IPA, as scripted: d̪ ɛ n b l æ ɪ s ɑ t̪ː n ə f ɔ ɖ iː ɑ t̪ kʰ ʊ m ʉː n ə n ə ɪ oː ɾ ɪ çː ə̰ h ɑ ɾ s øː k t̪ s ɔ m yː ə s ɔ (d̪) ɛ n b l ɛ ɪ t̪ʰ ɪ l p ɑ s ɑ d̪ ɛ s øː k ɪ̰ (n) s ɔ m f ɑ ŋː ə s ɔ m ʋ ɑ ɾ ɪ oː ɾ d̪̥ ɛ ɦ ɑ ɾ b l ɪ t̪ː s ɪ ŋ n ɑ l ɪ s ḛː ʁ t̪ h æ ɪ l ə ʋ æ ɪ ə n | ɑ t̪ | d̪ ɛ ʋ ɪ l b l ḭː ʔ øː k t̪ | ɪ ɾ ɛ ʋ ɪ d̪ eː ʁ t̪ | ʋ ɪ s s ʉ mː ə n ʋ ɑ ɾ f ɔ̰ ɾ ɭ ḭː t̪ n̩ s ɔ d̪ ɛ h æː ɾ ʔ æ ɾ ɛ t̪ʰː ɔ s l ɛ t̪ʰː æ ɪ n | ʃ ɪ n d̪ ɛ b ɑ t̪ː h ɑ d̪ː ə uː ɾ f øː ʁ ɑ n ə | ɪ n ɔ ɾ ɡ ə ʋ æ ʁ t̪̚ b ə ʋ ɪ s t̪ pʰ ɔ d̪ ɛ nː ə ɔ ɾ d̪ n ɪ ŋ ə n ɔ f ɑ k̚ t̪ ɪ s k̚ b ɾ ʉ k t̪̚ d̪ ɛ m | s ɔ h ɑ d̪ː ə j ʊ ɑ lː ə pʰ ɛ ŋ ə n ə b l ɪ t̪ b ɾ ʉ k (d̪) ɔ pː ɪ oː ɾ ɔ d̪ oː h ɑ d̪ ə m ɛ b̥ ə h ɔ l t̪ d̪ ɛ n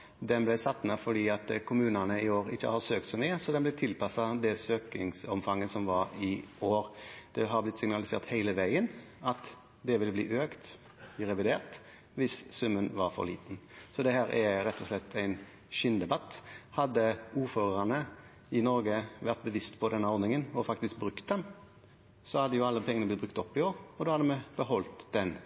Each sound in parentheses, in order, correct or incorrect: correct, incorrect, incorrect

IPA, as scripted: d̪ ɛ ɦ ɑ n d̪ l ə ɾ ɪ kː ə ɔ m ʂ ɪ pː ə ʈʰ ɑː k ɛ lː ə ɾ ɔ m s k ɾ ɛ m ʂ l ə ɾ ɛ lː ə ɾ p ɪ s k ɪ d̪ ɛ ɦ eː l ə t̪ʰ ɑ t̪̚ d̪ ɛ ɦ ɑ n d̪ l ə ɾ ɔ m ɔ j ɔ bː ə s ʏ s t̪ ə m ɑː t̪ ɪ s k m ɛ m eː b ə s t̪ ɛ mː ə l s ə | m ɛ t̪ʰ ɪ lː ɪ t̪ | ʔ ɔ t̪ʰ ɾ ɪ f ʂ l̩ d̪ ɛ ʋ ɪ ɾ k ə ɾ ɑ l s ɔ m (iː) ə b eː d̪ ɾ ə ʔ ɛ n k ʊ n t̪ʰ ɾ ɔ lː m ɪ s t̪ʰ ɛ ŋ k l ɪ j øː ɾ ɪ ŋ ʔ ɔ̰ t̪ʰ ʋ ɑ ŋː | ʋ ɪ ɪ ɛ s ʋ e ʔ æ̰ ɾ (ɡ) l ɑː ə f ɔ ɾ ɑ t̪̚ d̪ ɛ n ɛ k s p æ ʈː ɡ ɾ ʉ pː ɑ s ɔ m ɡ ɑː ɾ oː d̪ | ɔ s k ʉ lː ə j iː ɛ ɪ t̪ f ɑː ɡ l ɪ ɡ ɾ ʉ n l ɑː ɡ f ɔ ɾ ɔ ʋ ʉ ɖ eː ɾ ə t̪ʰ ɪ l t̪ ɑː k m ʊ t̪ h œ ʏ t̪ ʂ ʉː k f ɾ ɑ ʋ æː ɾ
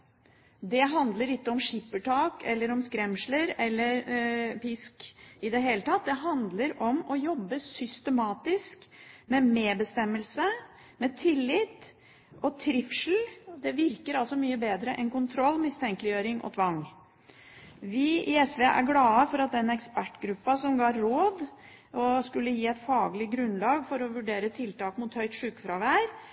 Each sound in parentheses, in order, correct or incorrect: incorrect, correct

